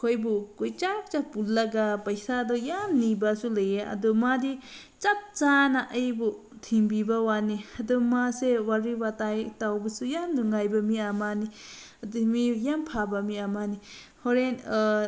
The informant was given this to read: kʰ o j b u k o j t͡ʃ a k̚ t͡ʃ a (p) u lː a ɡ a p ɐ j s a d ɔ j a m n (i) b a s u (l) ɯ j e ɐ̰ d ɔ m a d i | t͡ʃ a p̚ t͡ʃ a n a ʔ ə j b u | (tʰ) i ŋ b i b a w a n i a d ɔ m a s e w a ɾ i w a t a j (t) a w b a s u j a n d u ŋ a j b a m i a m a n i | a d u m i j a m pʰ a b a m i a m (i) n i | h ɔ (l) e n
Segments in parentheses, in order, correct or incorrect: correct, correct, correct, correct, correct, incorrect, incorrect

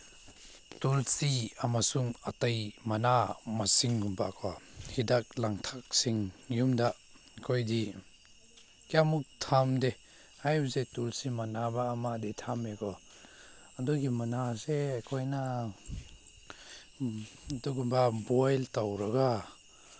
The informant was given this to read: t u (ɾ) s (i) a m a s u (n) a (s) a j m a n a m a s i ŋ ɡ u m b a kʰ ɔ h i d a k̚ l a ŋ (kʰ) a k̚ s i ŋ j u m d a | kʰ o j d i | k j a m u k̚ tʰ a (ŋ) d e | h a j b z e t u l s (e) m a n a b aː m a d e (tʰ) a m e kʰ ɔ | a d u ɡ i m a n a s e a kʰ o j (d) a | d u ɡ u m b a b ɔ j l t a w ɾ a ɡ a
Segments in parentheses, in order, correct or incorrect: incorrect, correct, incorrect, incorrect, incorrect, incorrect, incorrect, correct, incorrect

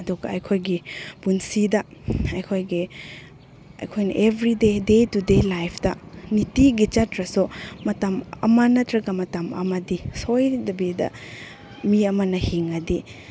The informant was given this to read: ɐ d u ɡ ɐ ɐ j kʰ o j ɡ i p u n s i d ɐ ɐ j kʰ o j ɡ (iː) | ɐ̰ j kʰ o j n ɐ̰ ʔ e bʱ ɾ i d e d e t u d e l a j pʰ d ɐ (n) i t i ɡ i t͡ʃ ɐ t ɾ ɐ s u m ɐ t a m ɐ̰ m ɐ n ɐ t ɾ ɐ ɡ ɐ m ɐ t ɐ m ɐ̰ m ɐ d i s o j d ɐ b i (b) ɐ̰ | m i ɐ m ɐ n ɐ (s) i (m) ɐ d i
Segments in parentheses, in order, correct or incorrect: incorrect, correct, incorrect, incorrect, incorrect

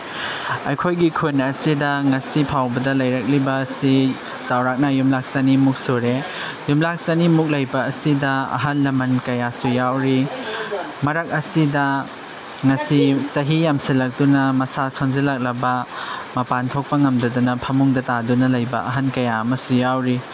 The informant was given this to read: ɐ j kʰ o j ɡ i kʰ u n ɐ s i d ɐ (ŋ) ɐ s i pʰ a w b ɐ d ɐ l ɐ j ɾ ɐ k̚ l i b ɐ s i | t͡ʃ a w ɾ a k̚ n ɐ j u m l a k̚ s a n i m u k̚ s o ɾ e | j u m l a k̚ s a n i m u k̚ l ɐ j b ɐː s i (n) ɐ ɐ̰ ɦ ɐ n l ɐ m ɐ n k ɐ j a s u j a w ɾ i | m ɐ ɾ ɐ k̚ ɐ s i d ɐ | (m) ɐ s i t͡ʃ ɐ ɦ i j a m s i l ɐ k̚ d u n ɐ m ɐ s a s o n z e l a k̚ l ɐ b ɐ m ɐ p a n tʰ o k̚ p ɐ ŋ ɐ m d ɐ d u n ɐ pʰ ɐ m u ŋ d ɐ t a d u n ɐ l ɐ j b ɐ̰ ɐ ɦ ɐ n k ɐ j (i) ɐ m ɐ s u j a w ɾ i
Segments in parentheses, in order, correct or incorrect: correct, incorrect, incorrect, incorrect

